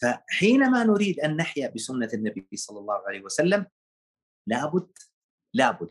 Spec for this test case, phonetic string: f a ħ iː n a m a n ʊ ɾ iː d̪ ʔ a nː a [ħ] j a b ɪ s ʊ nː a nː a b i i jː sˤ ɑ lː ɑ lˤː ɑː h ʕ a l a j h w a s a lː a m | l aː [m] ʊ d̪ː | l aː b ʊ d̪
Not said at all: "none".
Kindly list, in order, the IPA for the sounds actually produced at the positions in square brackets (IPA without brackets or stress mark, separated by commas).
ħ, b